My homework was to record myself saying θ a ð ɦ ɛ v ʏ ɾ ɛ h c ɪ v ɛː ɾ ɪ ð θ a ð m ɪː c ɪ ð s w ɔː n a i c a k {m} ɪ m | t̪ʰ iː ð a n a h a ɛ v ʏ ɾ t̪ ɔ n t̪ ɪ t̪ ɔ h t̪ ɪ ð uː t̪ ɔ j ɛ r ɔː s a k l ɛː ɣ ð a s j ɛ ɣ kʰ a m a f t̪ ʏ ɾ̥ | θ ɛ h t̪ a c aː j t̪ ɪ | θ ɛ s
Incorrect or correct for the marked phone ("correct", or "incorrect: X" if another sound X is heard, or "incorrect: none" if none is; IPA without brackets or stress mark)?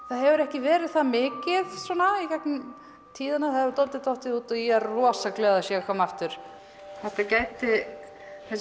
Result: incorrect: n